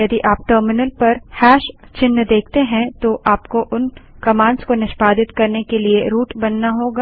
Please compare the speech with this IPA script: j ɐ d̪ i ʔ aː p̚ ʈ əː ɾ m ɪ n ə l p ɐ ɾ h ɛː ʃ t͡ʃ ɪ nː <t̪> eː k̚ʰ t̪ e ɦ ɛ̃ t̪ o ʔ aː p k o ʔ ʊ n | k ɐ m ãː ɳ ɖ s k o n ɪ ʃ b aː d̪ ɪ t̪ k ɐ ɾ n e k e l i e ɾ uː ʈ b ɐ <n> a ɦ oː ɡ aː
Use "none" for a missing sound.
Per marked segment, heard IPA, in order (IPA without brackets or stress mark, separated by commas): d̪, nː